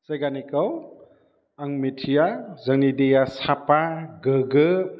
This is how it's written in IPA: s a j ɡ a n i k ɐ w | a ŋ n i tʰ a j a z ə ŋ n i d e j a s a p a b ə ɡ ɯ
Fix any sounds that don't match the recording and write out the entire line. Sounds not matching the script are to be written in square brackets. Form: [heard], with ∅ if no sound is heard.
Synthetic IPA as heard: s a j ɡ a n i k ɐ w | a ŋ [m] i tʰ [i] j a z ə ŋ n i d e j a s a p a [ɡ] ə ɡ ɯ